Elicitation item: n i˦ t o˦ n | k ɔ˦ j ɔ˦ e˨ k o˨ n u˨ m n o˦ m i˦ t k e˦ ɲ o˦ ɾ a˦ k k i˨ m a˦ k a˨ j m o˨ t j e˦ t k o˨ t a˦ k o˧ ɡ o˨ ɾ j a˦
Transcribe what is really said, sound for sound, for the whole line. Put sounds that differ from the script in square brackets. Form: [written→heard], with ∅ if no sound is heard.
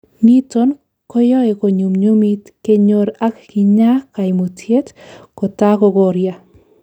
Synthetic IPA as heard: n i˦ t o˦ n | k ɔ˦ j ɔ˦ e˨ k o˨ [n→ɲ] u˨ m [n→ɲ] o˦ m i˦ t k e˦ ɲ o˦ ɾ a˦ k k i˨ [m→ɲ] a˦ k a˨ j m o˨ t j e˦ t k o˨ t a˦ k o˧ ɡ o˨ ɾ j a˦